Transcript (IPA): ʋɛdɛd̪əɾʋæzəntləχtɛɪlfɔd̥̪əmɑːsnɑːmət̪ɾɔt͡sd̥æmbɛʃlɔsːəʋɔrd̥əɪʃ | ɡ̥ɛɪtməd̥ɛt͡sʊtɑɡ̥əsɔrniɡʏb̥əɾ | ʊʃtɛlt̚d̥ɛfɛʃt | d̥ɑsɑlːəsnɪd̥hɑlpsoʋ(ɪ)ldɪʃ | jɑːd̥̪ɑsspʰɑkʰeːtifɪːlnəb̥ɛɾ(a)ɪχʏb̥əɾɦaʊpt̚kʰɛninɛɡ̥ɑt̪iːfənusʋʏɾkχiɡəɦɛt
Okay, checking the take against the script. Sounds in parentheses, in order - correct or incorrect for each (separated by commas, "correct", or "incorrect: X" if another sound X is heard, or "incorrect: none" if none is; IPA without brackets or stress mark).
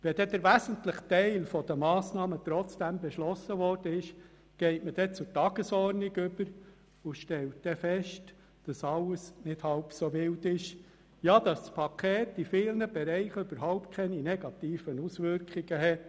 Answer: correct, incorrect: ɛ